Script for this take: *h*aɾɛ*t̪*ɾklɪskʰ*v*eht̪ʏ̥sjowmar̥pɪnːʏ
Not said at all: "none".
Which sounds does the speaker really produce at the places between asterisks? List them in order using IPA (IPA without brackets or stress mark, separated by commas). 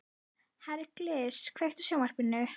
h, none, v